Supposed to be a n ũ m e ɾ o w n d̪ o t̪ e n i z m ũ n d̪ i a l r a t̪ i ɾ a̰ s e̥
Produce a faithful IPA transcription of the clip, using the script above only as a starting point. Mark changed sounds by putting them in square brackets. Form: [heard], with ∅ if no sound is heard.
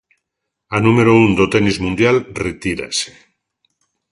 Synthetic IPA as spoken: a n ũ m e ɾ o [u] n d̪ o t̪ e n i z m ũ n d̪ [j] a l r [e] t̪ i ɾ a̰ s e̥